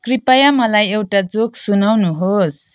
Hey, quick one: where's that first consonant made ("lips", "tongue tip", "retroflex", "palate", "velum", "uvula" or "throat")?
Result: velum